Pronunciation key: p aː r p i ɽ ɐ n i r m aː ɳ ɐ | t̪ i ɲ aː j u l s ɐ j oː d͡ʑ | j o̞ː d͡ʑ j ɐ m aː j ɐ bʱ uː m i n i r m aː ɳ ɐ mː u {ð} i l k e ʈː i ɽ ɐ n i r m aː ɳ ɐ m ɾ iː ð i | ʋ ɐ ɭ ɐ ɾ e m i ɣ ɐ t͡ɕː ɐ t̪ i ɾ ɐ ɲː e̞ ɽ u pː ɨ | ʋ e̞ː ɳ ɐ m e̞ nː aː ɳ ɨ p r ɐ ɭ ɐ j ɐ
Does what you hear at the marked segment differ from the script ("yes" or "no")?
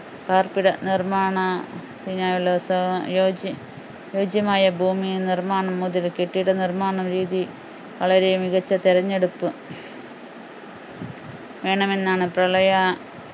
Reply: no